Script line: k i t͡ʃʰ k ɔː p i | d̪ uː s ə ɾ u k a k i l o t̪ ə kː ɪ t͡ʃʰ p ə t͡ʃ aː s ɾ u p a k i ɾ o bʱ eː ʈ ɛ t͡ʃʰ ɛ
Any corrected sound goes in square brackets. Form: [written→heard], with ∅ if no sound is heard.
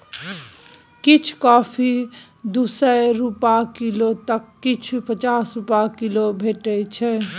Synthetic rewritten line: k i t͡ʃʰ k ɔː [p→pʰ] i | d̪ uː s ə ɾ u [k→p] a k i l o t̪ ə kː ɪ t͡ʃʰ p ə t͡ʃ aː s ɾ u p a k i [ɾ→l] o bʱ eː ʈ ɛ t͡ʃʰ ɛ